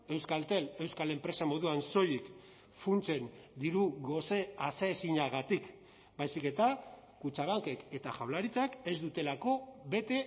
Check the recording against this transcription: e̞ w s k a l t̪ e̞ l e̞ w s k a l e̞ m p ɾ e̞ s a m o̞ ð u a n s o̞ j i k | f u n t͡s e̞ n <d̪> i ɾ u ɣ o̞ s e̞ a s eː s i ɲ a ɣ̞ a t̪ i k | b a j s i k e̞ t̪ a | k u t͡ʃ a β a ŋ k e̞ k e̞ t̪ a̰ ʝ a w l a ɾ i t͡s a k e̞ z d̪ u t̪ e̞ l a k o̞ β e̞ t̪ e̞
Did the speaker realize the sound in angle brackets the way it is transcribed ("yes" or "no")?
yes